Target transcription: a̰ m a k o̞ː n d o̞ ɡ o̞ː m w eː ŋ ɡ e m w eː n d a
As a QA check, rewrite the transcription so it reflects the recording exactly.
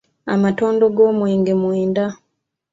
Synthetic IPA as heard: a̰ m a t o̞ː n d o̞ ɡ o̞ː m w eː ŋ ɡ e m w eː n d a